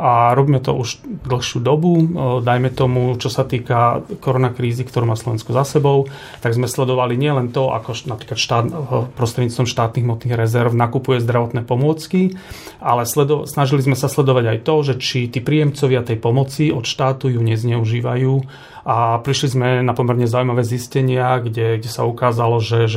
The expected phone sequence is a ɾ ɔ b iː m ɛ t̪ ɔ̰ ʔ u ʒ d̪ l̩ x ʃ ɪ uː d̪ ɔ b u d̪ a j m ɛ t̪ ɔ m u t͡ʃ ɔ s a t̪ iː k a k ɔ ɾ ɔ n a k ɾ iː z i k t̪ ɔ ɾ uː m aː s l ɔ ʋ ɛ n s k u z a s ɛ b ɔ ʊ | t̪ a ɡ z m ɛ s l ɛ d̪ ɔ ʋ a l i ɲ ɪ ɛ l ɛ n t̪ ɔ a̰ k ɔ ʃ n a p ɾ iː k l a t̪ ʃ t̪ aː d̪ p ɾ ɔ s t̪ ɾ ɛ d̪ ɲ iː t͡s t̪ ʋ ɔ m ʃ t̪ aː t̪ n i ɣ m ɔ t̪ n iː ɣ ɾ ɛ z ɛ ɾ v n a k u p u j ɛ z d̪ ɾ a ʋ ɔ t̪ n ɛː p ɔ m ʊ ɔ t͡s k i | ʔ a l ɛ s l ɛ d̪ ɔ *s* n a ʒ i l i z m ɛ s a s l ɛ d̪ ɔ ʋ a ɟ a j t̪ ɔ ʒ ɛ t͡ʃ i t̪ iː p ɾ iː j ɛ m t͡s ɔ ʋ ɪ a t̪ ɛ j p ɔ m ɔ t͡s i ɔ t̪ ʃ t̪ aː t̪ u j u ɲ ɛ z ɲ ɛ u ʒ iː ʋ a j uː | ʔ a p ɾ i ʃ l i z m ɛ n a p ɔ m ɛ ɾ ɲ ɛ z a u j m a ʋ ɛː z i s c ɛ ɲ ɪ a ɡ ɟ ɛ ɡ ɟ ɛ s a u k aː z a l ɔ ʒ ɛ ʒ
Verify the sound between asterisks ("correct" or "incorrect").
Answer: correct